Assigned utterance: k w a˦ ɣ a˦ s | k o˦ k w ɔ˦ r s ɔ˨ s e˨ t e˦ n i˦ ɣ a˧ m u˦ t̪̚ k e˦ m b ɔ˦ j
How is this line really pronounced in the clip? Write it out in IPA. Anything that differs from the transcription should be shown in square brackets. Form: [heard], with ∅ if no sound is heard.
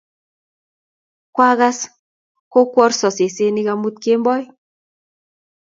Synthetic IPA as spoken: k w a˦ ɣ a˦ s | k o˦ k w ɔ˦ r s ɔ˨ s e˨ [s] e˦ n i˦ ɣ a˧ m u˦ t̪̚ k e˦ m b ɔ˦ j